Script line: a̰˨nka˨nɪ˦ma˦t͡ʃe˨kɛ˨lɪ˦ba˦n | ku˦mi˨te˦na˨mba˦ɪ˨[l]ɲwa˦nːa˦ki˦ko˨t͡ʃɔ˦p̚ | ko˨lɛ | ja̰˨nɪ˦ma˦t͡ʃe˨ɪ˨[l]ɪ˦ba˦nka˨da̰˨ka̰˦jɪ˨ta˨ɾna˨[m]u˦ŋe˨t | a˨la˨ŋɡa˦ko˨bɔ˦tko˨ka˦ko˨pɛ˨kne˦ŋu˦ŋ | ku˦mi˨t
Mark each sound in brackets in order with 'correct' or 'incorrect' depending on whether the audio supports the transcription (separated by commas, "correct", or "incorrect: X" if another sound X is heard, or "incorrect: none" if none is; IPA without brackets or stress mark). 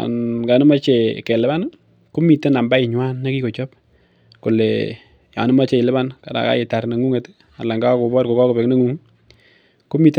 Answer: incorrect: none, correct, incorrect: ŋ